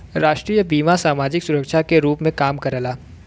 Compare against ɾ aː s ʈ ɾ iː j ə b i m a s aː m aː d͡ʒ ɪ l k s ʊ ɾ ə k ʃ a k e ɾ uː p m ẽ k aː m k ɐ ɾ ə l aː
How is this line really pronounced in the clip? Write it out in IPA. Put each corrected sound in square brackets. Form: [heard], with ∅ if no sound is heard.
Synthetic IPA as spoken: ɾ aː [ʃ] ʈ ɾ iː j ə b [iː] m a s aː m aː d͡ʒ ɪ [∅] k s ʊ ɾ ə k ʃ a k e ɾ uː p m ẽ k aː m k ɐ ɾ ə l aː